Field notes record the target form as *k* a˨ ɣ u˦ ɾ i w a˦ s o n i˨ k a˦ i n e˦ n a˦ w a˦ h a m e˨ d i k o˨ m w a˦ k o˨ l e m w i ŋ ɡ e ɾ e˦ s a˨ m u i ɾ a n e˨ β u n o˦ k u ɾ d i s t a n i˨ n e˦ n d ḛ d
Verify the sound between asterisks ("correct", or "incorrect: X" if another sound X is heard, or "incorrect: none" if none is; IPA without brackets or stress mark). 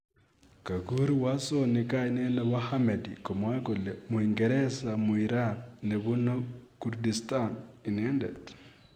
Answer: correct